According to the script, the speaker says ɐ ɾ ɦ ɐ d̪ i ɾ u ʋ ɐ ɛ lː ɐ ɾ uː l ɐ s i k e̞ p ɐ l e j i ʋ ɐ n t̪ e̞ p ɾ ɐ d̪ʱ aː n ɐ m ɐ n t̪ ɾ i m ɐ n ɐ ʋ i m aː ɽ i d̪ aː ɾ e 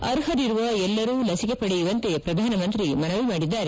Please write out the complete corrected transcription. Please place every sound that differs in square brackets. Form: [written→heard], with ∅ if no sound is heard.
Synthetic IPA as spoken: ɐ ɾ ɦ ɐ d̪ i ɾ u ʋ ɐ ɛ lː ɐ ɾ uː l ɐ s i k e̞ p ɐ [l→ɽ] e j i ʋ ɐ n t̪ e̞ p ɾ ɐ d̪ʱ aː n ɐ m ɐ n t̪ ɾ i m ɐ n ɐ ʋ i m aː ɽ i [d̪→d̪ː] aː ɾ e

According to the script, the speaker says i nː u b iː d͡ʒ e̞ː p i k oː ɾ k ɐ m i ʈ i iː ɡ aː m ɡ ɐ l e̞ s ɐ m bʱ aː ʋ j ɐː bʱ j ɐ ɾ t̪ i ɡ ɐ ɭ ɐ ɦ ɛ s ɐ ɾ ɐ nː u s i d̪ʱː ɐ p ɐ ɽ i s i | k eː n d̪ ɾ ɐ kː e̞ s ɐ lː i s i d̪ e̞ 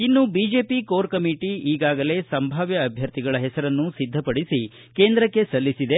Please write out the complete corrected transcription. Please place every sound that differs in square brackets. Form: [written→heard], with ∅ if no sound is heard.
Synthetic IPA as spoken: i nː u b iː d͡ʒ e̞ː p i k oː ɾ k ɐ m i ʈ i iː ɡ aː [m→∅] ɡ ɐ l e̞ s ɐ m bʱ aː ʋ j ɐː bʱ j ɐ ɾ t̪ i ɡ ɐ ɭ ɐ ɦ ɛ s ɐ ɾ ɐ nː u s i d̪ʱː ɐ p ɐ ɽ i s i | k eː n d̪ ɾ ɐ kː e̞ s ɐ lː i s i d̪ e̞

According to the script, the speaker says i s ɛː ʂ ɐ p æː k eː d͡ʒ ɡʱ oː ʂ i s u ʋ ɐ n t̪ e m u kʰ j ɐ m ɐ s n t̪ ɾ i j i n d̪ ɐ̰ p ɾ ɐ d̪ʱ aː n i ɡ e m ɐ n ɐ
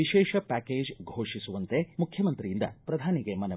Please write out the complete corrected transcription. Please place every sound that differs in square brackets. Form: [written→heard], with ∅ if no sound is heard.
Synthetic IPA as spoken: i [s→ʃ] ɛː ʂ ɐ p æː k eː d͡ʒ ɡʱ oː ʂ i s u ʋ ɐ n t̪ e m u kʰ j ɐ m ɐ [s→∅] n t̪ ɾ i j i n d̪ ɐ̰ p ɾ ɐ d̪ʱ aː n i ɡ e m ɐ n ɐ

